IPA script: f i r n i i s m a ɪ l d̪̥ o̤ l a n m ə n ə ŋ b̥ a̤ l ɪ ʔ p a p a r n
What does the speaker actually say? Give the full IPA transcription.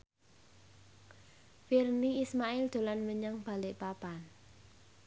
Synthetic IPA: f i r n i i s m a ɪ l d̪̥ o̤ l a n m ə ɲ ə ŋ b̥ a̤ l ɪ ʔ p a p a n